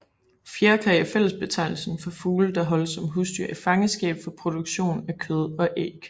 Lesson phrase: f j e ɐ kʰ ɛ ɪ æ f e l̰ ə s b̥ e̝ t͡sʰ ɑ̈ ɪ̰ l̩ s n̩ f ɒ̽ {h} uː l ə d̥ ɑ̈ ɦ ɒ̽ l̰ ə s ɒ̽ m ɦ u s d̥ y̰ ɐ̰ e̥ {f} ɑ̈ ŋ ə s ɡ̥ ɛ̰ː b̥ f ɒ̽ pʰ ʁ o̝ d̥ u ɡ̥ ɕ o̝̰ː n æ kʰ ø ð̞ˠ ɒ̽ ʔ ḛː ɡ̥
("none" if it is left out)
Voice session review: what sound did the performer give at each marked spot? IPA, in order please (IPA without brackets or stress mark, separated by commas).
f, f